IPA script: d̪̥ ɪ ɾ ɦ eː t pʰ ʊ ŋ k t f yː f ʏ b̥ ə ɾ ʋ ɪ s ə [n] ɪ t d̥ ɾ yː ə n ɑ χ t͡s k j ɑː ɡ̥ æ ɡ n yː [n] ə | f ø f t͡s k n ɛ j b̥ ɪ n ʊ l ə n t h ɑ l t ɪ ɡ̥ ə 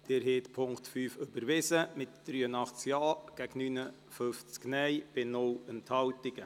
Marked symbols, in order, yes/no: no, yes

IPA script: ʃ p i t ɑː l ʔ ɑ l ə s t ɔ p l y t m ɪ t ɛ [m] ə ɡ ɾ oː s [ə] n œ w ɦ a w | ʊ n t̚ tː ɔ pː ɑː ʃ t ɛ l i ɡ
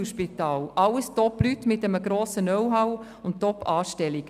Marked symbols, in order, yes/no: yes, yes

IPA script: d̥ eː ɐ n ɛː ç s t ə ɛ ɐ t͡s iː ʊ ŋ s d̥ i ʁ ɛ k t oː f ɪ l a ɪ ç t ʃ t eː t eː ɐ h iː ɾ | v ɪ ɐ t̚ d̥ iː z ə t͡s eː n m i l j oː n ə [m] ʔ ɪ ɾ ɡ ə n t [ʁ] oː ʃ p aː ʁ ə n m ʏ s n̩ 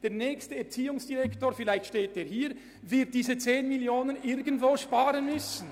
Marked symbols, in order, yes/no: no, no

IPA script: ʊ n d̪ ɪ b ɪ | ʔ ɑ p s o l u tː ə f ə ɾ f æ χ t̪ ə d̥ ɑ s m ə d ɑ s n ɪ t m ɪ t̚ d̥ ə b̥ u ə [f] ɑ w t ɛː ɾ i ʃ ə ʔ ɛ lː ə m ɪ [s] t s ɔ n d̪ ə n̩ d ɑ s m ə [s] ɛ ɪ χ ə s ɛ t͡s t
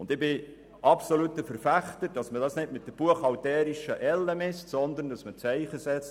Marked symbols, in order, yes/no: no, yes, no

